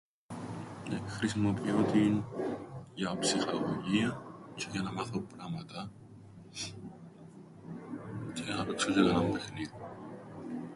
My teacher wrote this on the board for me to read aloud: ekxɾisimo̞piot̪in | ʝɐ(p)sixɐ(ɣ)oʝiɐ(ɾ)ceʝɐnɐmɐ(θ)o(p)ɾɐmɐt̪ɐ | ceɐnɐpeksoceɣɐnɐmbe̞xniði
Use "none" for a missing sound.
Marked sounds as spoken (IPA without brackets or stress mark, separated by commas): p, ɣ, none, θ, p